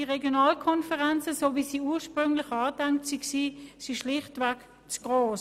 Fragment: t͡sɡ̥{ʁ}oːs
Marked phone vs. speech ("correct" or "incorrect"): correct